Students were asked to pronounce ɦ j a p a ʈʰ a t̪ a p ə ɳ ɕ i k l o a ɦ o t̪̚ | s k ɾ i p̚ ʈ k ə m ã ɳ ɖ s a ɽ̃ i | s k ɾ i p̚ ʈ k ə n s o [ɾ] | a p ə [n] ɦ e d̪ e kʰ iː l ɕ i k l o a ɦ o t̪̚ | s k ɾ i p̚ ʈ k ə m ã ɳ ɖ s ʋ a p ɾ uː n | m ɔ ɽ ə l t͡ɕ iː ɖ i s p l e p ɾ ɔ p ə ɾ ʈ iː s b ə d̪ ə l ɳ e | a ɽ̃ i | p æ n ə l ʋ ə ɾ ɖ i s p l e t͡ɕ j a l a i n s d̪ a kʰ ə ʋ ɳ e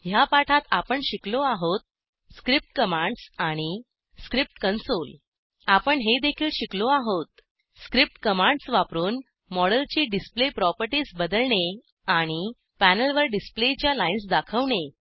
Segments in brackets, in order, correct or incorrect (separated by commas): incorrect, incorrect